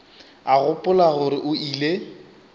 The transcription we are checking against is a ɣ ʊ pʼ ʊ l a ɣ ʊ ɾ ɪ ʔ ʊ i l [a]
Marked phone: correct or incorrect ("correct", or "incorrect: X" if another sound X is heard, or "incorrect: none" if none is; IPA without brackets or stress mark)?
incorrect: e